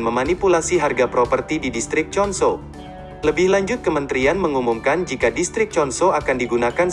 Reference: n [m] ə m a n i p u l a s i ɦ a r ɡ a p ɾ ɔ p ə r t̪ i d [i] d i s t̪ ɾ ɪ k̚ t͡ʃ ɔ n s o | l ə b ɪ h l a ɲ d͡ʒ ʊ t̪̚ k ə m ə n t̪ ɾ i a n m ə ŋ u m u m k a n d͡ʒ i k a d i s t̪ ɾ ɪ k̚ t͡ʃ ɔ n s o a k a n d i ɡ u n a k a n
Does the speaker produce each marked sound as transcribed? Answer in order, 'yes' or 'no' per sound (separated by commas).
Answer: yes, yes